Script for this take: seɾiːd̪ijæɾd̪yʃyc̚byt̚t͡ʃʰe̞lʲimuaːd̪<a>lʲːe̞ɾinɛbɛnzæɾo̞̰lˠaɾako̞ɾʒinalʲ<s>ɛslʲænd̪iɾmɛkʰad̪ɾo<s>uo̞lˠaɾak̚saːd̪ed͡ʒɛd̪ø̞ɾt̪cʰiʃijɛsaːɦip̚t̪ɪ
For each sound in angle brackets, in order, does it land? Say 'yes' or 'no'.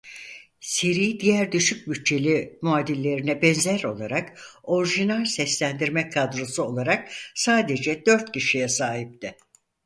no, yes, yes

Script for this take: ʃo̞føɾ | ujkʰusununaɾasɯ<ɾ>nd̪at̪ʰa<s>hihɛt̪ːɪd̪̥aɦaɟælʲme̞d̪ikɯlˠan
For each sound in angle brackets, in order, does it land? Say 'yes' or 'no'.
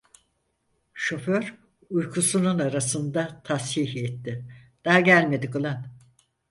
no, yes

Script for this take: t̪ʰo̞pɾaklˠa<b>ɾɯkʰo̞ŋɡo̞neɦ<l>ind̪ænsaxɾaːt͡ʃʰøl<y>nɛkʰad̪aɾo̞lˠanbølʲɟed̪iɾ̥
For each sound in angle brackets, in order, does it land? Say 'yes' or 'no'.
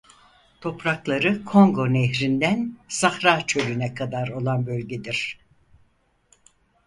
no, no, yes

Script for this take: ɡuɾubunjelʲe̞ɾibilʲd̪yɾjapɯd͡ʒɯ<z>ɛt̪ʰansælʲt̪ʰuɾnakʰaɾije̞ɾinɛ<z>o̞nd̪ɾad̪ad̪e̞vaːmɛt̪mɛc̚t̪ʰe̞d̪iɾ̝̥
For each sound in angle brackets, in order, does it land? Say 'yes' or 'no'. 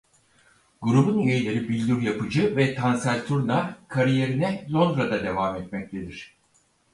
no, yes

